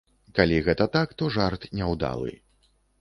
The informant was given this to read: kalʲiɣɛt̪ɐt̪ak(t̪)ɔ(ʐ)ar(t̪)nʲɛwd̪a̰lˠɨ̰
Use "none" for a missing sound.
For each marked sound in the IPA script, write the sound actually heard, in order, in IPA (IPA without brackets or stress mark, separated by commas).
t̪, ʐ, t̪